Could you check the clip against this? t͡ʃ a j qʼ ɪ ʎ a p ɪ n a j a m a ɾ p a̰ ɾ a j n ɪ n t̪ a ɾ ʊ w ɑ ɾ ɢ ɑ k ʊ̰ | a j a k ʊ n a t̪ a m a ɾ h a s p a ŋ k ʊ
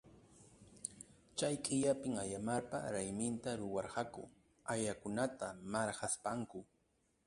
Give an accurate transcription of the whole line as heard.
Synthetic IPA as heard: t͡ʃ a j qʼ ɪ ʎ a p ɪ ŋ a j a m a ɾ p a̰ ɾ a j m ɪ n t̪ a ɾ ʊ w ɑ ɾ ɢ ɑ k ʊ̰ | a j a k ʊ n a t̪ a m a ɾ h a s p a ŋ k ʊ